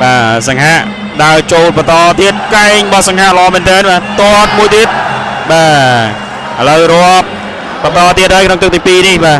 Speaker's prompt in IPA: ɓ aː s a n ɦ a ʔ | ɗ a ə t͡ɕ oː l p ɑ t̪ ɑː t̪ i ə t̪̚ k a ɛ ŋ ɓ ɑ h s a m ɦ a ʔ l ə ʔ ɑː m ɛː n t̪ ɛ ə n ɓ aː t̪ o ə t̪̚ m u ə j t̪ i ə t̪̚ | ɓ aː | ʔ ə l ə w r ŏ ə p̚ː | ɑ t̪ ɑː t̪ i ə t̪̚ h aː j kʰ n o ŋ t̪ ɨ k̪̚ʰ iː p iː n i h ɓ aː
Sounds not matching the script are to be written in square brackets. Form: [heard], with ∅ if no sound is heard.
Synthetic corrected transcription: ɓ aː s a [ŋ] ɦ a ʔ | ɗ a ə t͡ɕ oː l p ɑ t̪ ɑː t̪ i ə t̪̚ k a ɛ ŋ ɓ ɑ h s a [ŋ] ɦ a ʔ l ə ʔ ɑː m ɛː n t̪ ɛ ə n ɓ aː t̪ o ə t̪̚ m u ə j t̪ i ə t̪̚ | ɓ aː | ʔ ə l ə w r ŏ ə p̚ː | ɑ t̪ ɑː t̪ i ə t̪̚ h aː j kʰ n o ŋ t̪ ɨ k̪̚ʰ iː p iː n i h ɓ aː